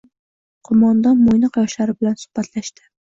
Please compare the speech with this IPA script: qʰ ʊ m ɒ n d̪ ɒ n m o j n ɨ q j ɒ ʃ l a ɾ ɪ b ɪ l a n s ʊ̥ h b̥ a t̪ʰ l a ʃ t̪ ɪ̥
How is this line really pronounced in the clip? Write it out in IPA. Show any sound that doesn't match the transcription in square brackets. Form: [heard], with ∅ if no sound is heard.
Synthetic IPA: qʰ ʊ m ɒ n d̪ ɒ n m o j n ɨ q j ɒ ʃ l a ɾ ɪ b ɪ l a n s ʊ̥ h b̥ a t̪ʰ l a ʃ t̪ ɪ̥